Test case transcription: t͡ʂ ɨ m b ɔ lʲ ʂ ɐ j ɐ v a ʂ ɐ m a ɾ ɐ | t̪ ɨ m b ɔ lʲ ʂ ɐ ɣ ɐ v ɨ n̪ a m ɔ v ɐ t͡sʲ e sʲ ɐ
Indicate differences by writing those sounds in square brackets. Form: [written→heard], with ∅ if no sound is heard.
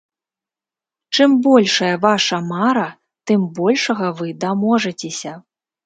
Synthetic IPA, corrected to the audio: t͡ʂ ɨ m b ɔ lʲ ʂ ɐ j ɐ v a ʂ ɐ m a ɾ ɐ | t̪ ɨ m b ɔ lʲ ʂ ɐ ɣ ɐ v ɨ [n̪→d̪] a m ɔ [v→ʐ] ɐ t͡sʲ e sʲ ɐ